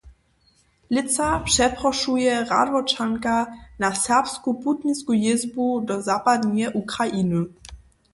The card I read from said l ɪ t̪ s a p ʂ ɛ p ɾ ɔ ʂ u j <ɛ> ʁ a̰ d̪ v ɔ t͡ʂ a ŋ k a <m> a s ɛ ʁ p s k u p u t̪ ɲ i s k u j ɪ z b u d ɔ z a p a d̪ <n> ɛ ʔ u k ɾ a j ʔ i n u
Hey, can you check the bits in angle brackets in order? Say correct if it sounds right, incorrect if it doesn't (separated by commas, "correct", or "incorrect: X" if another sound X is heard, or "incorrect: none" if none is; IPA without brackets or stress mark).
correct, incorrect: n, incorrect: ɲ